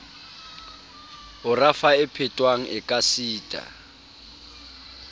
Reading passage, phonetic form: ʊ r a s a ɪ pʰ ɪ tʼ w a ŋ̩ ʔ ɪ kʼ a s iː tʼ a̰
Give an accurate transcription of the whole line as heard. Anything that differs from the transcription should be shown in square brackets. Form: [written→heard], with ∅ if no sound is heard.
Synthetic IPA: ʊ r a [s→f] a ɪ pʰ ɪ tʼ w a ŋ̩ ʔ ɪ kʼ a s iː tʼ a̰

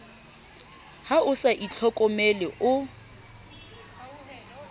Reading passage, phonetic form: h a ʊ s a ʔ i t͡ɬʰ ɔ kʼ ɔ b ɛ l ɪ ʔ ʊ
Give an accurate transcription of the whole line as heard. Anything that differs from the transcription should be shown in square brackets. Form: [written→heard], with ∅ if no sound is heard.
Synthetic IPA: h a ʊ s a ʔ i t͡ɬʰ ɔ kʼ ɔ [b→m] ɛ l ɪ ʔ ʊ

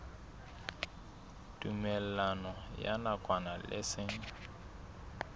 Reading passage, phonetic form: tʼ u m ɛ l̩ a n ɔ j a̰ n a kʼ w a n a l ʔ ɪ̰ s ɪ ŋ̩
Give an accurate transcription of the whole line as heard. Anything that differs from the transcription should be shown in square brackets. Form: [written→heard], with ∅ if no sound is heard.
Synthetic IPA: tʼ u m ɛ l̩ a n ɔ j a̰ n a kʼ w a n a l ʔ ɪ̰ s ɪ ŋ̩

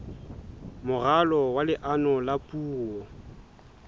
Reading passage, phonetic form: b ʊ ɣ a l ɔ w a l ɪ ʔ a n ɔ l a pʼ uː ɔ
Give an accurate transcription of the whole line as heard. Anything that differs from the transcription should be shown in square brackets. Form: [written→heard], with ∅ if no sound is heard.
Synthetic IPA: [b→m] ʊ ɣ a l ɔ w a l ɪ ʔ a n ɔ l a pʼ uː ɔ

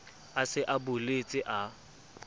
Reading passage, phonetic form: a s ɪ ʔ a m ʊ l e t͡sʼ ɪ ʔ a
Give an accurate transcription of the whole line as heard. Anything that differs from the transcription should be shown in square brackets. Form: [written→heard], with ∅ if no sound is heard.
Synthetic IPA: a s ɪ ʔ a [m→b] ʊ l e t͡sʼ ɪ ʔ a

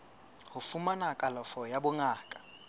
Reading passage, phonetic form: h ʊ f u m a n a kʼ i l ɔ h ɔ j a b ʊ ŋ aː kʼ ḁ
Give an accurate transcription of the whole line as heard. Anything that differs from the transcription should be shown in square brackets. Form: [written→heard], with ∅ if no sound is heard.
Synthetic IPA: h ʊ f u m a n a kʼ [i→a] l ɔ [h→f] ɔ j a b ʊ ŋ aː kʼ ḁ

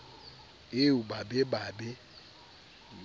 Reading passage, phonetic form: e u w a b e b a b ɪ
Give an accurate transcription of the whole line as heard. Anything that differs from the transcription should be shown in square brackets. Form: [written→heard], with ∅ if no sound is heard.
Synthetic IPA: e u [w→b] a b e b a b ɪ

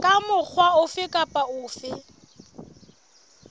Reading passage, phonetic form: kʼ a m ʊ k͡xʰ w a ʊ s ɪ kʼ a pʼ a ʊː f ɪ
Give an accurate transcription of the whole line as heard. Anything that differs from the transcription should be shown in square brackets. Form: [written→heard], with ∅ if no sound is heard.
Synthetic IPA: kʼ a m ʊ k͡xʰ w a ʊ [s→f] ɪ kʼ a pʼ a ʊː f ɪ

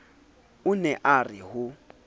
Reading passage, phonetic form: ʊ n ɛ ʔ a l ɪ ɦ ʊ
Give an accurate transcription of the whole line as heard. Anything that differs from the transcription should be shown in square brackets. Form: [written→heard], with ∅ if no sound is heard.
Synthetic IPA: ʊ n ɛ ʔ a [l→r] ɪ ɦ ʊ

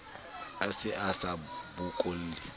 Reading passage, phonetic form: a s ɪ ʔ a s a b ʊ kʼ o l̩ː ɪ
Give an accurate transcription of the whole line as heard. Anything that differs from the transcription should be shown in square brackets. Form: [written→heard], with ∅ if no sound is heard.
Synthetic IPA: a s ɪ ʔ a s a b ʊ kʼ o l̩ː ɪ

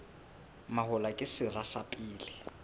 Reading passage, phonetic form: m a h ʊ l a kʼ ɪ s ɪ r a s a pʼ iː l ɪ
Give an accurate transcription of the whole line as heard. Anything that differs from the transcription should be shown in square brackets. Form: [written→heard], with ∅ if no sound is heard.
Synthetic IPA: m a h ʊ l a kʼ ɪ s ɪ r a s a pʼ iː l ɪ

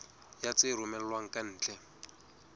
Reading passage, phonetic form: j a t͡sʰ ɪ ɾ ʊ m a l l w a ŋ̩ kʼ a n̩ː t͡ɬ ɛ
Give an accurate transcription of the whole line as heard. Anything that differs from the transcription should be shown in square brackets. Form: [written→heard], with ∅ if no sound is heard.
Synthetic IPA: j a [t͡sʰ→t͡s] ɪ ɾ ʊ m [a→ɛ] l l w a ŋ̩ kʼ a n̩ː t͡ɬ ɛ

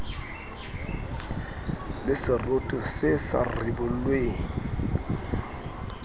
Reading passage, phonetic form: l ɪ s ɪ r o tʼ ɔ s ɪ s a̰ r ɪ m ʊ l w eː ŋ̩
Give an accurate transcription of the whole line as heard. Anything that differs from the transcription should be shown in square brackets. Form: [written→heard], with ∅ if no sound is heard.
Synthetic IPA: l ɪ s ɪ r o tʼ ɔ s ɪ s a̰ r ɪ [m→b] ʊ l w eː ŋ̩

